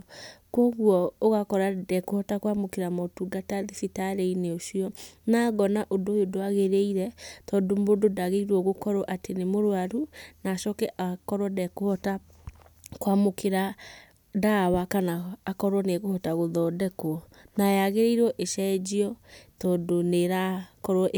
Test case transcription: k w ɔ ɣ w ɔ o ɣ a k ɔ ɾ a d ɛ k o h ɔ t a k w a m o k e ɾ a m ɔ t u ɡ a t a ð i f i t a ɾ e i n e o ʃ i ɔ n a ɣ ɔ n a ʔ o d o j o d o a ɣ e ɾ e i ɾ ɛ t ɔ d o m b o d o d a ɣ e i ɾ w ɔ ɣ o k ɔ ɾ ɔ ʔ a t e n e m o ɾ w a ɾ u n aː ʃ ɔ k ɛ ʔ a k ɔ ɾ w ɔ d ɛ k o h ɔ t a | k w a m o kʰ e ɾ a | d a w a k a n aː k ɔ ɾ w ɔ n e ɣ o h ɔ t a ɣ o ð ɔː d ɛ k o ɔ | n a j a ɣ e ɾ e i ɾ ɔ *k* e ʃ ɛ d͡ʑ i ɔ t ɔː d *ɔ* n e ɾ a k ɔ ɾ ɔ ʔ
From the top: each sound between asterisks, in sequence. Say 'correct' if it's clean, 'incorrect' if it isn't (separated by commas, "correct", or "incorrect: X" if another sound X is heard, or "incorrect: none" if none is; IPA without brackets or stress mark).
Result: incorrect: ʔ, incorrect: o